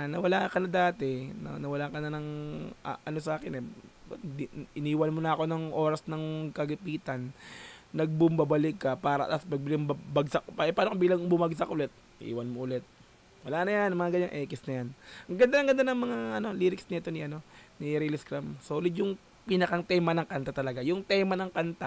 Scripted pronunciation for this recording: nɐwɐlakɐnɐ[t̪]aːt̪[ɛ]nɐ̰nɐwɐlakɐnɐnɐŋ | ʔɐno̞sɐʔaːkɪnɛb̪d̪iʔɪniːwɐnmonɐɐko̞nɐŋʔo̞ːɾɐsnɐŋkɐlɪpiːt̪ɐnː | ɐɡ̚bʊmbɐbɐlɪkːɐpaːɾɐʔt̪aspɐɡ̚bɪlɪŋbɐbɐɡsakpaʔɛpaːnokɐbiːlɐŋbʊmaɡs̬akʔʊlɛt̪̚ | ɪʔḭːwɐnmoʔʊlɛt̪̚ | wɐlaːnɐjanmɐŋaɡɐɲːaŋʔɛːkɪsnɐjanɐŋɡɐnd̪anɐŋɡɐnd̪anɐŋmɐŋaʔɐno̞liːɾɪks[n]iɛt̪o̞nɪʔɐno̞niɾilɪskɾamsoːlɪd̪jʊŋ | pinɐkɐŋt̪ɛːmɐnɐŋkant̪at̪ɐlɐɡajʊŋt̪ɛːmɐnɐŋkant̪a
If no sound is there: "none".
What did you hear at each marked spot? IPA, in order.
d̪, ɛ, n

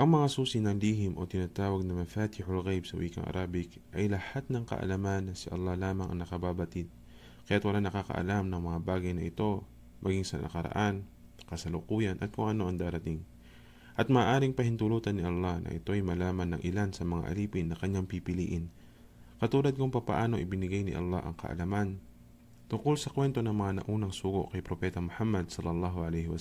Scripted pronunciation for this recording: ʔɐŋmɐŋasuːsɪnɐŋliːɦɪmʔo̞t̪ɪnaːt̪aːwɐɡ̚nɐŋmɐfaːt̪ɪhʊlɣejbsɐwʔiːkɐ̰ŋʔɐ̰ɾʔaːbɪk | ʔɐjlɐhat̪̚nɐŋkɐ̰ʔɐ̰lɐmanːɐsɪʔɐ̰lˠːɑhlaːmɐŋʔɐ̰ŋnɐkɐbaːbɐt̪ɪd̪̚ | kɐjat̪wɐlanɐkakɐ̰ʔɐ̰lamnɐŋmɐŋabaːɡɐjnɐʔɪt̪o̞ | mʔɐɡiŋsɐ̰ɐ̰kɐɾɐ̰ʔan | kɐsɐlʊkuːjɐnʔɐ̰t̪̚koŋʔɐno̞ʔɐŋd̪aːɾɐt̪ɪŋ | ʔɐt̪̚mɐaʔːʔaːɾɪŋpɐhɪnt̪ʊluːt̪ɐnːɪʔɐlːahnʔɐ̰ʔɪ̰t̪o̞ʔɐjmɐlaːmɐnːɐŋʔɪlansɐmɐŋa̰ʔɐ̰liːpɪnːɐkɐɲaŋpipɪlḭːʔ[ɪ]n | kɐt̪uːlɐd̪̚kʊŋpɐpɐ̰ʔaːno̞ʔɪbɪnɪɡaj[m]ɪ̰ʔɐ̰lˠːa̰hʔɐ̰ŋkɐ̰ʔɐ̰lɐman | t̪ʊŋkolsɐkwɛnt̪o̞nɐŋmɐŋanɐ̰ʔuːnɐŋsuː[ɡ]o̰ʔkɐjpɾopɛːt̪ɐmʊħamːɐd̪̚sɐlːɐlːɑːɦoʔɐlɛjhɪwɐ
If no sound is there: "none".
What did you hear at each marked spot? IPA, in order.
ɪ, n, ɡ

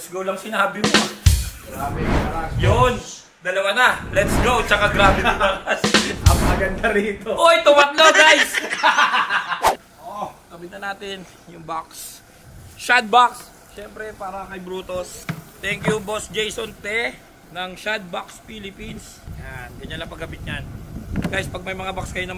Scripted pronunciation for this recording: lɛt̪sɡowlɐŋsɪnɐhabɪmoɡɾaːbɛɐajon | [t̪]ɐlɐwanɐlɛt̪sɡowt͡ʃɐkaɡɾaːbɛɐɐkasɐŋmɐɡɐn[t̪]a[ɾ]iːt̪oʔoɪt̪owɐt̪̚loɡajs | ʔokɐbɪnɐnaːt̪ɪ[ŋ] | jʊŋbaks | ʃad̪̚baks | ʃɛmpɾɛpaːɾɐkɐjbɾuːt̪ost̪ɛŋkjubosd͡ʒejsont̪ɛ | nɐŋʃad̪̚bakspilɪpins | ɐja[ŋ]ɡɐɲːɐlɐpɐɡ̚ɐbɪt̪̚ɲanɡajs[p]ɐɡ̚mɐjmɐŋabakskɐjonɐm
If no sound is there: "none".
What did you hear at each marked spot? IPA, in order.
d̪, d̪, ɾ, n, n, p

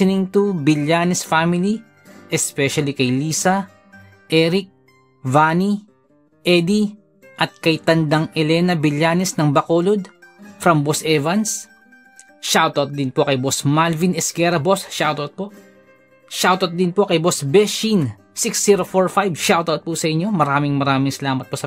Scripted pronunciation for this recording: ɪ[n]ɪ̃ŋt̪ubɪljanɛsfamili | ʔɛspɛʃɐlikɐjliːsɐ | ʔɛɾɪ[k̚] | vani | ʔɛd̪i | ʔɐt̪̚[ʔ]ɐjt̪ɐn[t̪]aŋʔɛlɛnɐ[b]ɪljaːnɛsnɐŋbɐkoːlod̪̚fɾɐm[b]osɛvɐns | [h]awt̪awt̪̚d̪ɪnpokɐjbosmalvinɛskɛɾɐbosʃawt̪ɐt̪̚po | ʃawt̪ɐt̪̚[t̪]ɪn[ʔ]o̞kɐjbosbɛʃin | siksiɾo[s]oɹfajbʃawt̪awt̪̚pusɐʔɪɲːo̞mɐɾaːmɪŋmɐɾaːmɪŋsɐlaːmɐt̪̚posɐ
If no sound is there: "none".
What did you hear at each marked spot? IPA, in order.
n, k̚, k, d̪, b, b, ʃ, d̪, p, f

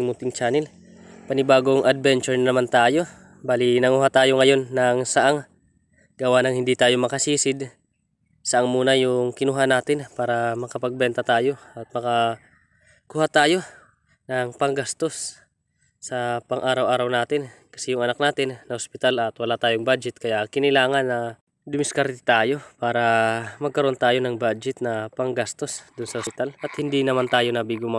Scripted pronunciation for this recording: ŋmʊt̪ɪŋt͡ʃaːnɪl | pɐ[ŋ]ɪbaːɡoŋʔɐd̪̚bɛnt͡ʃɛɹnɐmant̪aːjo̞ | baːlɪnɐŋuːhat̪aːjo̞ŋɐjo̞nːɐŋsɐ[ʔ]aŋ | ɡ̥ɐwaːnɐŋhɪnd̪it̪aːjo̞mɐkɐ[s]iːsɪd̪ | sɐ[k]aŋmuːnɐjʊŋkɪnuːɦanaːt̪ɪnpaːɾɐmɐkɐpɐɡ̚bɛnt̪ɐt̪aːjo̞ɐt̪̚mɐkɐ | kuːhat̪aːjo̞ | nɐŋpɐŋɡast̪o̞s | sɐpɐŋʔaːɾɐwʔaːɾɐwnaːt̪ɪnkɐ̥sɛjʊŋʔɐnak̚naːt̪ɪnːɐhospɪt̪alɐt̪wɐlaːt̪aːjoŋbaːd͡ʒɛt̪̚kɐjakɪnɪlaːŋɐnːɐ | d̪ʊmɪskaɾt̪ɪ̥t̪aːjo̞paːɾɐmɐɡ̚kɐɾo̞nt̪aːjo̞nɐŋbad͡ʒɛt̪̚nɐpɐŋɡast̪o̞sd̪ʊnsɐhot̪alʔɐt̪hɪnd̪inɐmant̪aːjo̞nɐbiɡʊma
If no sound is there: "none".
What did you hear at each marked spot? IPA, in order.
n, ʔ, s, ʔ

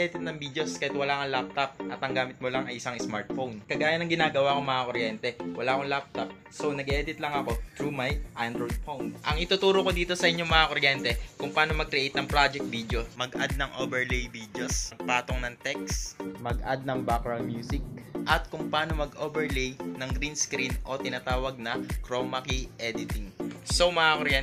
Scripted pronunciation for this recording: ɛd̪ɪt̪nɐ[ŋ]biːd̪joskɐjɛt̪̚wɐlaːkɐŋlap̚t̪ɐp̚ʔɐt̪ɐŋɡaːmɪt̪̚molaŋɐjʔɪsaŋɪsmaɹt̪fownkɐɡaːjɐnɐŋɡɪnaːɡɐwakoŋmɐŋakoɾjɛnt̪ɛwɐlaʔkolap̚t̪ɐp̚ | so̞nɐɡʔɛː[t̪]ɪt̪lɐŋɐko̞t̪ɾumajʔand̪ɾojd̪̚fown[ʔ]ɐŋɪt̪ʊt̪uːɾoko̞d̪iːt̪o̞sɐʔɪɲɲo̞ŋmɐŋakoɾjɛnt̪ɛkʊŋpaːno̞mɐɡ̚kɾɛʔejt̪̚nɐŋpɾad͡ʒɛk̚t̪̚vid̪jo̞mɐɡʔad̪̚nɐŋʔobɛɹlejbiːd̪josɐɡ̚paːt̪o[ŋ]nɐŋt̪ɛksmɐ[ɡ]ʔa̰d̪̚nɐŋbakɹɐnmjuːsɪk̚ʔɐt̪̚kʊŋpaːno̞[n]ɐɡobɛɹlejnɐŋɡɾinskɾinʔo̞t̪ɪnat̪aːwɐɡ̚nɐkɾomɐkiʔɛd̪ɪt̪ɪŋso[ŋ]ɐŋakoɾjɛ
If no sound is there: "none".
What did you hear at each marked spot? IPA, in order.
ŋ, d̪, ʔ, ŋ, ɡ, m, m

